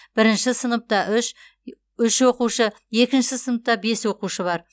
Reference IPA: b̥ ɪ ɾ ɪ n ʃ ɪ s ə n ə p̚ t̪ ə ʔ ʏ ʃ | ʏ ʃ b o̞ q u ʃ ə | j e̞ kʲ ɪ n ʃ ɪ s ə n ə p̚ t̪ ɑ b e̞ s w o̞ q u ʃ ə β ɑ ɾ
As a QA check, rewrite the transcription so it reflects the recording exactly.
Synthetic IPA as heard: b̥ ɪ ɾ ɪ n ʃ ɪ s ə n ə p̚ t̪ ɑ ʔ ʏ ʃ | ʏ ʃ w o̞ q u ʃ ə | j e̞ kʲ ɪ n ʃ ɪ s ə n ə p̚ t̪ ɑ b e̞ s w o̞ q u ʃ ə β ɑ ɾ